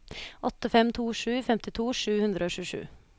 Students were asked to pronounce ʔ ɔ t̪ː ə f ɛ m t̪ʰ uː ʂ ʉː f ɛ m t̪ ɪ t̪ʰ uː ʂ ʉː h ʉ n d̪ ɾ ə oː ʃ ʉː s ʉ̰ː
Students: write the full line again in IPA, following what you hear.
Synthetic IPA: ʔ ɔ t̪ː ə f ɛ m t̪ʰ uː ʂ ʉː f ɛ m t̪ ɪ t̪ʰ uː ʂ ʉː h ʉ n d̪ ɾ ə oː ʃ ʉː ʂ ʉ̰ː